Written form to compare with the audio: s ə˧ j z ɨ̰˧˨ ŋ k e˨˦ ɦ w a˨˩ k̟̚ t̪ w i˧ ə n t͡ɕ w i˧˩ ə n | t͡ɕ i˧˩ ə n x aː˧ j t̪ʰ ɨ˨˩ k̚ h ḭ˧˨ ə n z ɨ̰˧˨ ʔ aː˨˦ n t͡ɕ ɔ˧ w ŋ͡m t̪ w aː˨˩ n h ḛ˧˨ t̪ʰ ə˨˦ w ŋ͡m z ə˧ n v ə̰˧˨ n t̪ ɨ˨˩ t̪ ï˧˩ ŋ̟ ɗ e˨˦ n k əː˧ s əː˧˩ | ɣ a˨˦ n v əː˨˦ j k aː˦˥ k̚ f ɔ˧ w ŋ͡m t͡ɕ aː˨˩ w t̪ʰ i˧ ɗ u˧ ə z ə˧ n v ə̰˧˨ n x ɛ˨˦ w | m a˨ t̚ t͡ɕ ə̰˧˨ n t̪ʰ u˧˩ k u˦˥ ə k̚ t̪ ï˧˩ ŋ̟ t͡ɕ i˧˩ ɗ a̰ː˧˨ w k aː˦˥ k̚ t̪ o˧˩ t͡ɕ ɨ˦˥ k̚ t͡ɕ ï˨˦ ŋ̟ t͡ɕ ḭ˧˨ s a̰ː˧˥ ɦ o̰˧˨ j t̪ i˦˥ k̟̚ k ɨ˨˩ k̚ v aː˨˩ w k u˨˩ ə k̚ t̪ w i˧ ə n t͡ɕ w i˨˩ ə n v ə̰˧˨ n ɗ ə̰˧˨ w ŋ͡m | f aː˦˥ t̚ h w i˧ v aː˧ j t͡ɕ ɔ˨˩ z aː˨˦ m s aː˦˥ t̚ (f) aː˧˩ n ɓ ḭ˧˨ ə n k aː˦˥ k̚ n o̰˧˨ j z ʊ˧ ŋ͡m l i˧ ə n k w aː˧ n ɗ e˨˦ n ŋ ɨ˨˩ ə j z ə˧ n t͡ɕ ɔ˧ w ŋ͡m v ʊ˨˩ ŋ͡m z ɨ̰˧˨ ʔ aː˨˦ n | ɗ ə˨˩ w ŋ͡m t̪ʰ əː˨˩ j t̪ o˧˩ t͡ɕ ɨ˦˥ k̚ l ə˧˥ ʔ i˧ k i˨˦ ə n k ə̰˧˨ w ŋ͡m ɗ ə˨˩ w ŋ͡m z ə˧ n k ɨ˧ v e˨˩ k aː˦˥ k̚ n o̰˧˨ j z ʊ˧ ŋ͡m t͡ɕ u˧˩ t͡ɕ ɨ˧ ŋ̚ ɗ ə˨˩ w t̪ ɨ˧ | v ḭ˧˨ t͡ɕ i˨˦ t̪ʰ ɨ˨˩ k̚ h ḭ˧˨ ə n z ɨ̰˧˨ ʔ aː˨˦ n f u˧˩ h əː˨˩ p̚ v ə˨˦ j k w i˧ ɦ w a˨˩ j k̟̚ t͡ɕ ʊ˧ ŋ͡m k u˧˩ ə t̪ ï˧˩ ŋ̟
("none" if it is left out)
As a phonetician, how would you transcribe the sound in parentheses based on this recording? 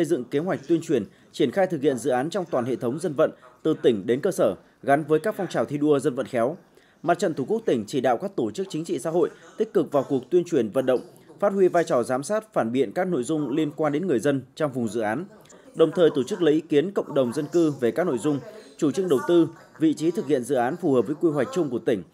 f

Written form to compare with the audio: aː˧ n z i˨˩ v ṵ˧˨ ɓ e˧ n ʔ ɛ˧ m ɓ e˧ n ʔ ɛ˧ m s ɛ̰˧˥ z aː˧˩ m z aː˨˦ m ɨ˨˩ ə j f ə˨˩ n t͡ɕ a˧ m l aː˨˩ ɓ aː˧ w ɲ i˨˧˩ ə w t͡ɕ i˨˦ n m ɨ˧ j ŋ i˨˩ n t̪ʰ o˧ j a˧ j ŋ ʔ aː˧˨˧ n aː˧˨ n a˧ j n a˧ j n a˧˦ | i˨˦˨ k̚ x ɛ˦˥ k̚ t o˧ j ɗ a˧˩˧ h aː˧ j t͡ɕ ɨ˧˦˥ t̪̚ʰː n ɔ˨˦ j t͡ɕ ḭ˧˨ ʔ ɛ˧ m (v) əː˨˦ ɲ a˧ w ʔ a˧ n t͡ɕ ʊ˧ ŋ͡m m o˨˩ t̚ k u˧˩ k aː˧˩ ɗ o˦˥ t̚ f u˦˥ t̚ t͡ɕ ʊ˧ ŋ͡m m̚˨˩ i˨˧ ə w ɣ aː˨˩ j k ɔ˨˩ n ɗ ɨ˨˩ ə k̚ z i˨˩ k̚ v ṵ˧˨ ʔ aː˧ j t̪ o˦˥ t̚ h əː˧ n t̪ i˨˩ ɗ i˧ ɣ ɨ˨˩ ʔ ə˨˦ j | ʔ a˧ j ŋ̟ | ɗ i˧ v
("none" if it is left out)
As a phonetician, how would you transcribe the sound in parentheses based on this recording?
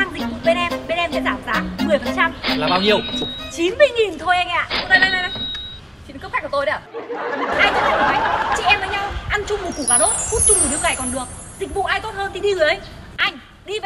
v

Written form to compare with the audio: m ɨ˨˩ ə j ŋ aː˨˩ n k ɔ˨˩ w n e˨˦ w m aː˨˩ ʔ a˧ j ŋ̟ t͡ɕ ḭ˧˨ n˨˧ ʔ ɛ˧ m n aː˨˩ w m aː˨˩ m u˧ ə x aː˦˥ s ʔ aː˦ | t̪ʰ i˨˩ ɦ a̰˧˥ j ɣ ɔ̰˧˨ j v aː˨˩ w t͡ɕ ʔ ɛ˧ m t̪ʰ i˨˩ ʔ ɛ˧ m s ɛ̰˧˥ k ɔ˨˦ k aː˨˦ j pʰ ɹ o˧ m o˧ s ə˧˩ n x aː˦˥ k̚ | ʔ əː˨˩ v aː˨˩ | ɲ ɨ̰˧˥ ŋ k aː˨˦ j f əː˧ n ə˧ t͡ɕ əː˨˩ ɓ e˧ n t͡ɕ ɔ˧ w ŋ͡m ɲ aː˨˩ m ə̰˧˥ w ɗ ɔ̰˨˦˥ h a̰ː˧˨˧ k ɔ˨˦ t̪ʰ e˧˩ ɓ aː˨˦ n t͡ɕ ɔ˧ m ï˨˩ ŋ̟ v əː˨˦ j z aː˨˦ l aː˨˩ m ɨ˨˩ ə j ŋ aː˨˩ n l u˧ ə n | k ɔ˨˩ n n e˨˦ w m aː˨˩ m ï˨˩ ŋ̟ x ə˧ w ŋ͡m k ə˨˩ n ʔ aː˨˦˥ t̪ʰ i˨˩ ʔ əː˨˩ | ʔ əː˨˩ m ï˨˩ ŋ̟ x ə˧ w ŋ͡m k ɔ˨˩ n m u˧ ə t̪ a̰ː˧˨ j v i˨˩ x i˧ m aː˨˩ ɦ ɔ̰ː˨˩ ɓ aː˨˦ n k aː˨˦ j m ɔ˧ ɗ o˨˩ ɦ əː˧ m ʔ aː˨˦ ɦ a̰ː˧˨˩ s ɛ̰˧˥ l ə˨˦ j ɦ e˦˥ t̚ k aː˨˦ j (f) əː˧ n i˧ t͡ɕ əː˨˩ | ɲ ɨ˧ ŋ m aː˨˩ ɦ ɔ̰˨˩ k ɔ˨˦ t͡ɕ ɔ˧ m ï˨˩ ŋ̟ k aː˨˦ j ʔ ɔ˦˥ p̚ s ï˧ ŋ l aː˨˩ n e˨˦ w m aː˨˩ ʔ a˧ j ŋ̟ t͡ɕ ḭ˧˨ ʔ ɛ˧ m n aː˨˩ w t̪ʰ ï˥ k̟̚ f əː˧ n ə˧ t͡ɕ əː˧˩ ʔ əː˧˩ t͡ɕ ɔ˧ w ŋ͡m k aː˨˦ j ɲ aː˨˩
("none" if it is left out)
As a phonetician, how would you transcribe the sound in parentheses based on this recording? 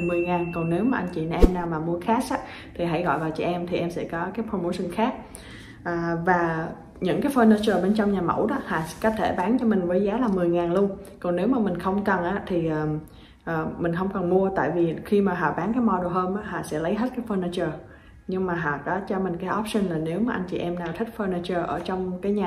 f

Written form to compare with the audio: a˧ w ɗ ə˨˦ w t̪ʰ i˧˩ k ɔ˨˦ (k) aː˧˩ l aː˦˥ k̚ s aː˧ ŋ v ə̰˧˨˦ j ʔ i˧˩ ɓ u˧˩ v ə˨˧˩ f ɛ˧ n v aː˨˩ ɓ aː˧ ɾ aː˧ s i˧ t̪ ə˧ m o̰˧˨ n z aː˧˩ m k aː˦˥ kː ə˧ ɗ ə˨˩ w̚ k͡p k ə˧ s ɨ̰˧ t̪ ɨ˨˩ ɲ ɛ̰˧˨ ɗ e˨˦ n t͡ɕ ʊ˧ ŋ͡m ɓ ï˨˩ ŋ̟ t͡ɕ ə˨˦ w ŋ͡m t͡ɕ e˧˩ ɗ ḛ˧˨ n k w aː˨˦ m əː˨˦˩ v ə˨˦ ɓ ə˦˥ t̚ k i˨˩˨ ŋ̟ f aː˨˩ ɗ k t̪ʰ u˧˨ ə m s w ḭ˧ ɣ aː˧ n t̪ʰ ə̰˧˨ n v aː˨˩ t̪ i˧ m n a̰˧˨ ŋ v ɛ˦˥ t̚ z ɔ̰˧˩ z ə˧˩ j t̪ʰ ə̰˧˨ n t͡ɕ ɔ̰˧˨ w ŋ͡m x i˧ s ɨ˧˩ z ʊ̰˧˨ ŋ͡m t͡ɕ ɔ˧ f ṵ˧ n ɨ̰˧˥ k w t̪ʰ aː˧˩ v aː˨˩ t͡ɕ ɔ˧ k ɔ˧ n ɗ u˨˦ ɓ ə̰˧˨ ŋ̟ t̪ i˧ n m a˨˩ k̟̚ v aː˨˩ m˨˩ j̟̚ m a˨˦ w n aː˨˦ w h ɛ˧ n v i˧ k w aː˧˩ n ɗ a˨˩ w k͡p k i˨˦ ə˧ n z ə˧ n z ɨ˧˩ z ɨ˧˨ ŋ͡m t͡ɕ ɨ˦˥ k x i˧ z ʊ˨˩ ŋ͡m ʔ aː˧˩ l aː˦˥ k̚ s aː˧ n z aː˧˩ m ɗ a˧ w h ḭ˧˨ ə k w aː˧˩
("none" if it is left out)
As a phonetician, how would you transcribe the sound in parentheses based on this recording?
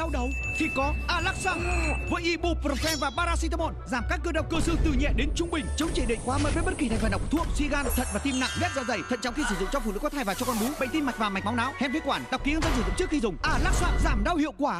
ʔ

